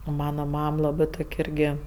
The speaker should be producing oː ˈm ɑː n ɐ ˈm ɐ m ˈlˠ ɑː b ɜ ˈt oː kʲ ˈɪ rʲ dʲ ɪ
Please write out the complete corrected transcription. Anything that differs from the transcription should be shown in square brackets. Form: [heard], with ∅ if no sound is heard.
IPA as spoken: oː ˈm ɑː n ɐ ˈm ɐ m ˈlˠ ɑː b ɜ ˈt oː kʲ ˈɪ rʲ [ɡʲ] ɪ